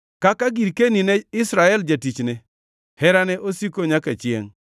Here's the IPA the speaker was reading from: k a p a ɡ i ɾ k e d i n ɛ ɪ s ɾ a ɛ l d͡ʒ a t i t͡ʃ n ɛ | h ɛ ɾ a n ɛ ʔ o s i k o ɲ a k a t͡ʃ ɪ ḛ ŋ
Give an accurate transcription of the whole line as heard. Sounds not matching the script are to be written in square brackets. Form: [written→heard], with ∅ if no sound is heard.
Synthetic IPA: k a [p→k] a ɡ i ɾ k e [d→n] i n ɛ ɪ s ɾ a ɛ l d͡ʒ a t i t͡ʃ n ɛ | h ɛ ɾ a n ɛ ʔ o s i k o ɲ a k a t͡ʃ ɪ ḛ ŋ